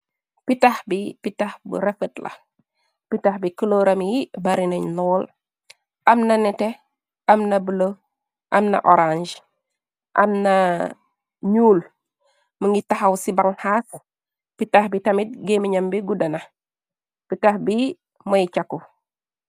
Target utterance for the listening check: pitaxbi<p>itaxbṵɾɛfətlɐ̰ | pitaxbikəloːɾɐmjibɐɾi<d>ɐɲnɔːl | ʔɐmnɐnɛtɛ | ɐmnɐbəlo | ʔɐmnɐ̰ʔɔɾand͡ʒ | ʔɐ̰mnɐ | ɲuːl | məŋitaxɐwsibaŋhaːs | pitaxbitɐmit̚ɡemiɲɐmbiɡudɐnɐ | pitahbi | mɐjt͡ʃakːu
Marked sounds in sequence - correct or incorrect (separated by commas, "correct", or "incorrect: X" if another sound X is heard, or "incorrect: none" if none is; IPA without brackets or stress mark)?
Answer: correct, incorrect: n